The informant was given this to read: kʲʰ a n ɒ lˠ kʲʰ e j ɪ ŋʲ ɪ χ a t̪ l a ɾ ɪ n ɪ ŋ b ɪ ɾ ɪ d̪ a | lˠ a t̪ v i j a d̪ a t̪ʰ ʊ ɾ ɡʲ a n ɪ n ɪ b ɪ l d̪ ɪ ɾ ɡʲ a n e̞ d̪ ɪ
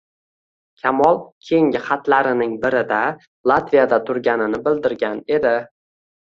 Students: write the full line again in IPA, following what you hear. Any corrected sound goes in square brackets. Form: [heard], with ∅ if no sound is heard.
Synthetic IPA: kʲʰ a [m] ɒ lˠ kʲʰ e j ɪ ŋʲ ɪ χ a t̪ l a ɾ ɪ n ɪ ŋ b ɪ ɾ ɪ d̪ a | lˠ a t̪ v i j a d̪ a t̪ʰ ʊ ɾ ɡʲ a n ɪ n ɪ b ɪ l d̪ ɪ ɾ ɡʲ a n e̞ d̪ ɪ

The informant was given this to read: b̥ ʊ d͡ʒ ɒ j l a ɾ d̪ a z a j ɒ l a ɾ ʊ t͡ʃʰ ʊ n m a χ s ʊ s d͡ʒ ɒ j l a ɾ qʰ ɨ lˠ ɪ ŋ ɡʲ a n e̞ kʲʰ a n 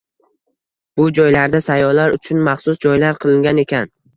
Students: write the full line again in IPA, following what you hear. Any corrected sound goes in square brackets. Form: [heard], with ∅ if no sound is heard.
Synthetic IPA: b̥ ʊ d͡ʒ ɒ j l a ɾ d̪ a [s] a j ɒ l a ɾ ʊ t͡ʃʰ ʊ n m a χ s ʊ s d͡ʒ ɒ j l a ɾ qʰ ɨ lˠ ɪ ŋ ɡʲ a n e̞ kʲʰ a n

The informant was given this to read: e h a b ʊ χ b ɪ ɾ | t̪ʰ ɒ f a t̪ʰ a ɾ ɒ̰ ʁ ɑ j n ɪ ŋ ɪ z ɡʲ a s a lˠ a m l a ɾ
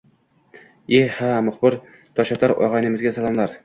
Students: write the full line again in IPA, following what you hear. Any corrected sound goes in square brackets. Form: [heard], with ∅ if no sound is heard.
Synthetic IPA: e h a [m] ʊ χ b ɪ ɾ | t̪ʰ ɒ [ʃ] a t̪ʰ a ɾ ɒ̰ ʁ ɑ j n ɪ [m] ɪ z ɡʲ a s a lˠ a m l a ɾ

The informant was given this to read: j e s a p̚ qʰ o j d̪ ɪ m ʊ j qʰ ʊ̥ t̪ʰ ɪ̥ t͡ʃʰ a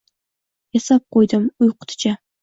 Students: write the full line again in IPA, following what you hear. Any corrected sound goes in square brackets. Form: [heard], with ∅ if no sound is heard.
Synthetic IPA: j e s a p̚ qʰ o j d̪ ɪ m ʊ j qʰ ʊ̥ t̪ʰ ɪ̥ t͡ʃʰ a

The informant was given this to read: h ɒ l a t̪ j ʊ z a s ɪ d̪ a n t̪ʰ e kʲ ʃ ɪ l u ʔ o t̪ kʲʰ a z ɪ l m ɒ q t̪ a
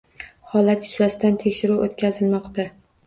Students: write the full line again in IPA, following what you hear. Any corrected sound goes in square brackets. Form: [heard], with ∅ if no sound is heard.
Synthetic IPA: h ɒ l a t̪ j ʊ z a s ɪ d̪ a n t̪ʰ e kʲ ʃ ɪ [ɾ] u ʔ o t̪ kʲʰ a z ɪ l m ɒ q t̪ a

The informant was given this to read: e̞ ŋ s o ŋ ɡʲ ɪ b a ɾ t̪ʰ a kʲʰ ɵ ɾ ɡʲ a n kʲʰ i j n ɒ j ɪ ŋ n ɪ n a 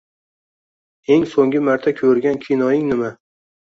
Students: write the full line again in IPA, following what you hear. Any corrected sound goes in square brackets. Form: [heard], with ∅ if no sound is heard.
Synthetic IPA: e̞ ŋ s o ŋ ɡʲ ɪ [m] a ɾ t̪ʰ a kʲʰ ɵ ɾ ɡʲ a n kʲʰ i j n ɒ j ɪ ŋ n ɪ [m] a

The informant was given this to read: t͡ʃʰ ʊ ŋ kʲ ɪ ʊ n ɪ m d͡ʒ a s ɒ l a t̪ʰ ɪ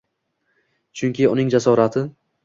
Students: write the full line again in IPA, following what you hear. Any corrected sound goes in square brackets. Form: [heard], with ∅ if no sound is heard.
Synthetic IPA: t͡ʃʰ ʊ ŋ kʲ ɪ ʊ n ɪ [ŋ] d͡ʒ a s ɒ [ɾ] a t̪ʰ ɪ

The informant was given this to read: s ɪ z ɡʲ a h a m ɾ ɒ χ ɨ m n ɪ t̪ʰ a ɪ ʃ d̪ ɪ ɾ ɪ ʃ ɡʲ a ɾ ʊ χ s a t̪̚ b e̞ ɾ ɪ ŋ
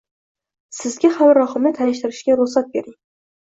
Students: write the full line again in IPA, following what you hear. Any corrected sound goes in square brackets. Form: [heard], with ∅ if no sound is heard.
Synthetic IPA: s ɪ z ɡʲ a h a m ɾ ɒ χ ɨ m n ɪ t̪ʰ a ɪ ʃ [t̪] ɪ ɾ ɪ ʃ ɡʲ a ɾ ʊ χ s a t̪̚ b e̞ ɾ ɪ ŋ

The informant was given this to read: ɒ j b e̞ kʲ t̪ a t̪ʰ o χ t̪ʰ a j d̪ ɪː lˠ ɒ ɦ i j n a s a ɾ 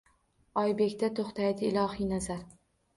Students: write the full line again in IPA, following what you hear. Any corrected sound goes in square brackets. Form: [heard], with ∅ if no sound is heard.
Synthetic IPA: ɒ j b e̞ kʲ t̪ a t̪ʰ o χ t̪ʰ a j d̪ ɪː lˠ ɒ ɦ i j n a [z] a ɾ

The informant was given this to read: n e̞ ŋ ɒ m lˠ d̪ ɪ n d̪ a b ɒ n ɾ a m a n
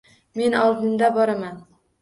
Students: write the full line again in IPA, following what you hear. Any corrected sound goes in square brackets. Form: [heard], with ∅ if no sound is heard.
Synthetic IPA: [m] e̞ [n] ɒ [∅] lˠ d̪ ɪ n d̪ a b ɒ [∅] ɾ a m a n

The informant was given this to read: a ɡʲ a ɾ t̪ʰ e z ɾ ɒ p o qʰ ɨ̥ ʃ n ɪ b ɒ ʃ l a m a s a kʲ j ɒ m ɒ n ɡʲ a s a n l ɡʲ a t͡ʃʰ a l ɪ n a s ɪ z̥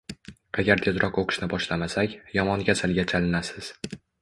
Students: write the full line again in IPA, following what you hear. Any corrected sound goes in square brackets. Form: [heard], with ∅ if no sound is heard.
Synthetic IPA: a ɡʲ a ɾ t̪ʰ e z ɾ ɒ [q] o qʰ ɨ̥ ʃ n ɪ b ɒ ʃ l a m a s a kʲ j ɒ m ɒ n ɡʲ a s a [∅] l ɡʲ a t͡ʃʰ a l ɪ n a s ɪ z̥

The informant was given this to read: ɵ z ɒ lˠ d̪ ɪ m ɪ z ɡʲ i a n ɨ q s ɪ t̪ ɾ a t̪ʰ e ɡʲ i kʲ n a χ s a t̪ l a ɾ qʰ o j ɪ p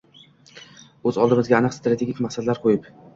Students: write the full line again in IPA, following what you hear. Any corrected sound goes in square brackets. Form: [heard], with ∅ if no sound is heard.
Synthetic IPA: ɵ z ɒ lˠ d̪ ɪ m ɪ z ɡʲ [a] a n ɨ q s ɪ t̪ ɾ a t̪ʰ e ɡʲ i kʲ [m] a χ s a [d̪] l a ɾ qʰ o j ɪ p

